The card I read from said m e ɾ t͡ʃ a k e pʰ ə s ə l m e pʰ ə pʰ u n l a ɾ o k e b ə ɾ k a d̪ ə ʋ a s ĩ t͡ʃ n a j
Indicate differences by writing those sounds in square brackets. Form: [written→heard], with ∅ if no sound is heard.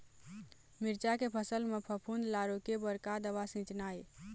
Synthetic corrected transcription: m [e→i] ɾ t͡ʃ a k e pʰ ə s ə l m e pʰ ə pʰ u n l a ɾ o k e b ə ɾ k a d̪ ə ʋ a s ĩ t͡ʃ n a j